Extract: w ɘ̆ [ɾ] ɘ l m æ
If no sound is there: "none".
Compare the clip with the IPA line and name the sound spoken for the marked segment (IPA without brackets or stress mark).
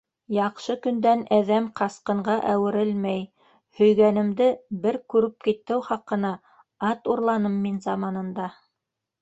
ɾ